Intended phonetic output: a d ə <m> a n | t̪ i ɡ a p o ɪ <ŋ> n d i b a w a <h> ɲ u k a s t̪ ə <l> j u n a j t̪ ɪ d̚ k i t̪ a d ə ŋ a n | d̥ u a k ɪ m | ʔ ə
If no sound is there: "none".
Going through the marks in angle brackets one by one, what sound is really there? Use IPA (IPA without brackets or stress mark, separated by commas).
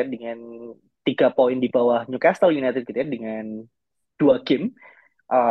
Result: ŋ, none, h, l